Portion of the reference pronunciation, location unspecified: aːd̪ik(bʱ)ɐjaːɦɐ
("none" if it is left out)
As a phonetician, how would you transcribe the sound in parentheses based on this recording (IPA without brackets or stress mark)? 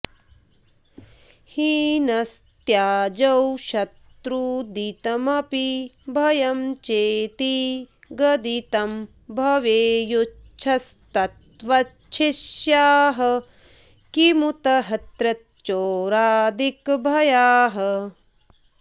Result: bʱ